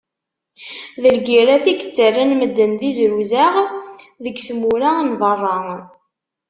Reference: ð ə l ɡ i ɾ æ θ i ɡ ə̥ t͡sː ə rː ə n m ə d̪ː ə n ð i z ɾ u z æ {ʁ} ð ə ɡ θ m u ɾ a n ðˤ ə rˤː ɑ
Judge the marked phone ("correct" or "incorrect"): correct